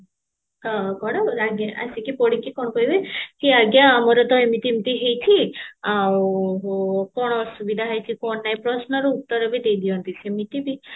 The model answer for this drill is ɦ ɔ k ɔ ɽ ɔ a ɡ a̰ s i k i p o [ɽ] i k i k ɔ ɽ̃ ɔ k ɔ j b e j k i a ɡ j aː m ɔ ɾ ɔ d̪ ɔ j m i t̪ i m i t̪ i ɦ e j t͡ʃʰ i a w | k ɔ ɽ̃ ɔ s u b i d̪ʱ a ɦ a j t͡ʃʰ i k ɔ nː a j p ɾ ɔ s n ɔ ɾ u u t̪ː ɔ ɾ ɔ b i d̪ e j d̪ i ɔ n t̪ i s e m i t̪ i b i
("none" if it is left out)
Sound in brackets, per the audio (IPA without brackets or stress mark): ɽ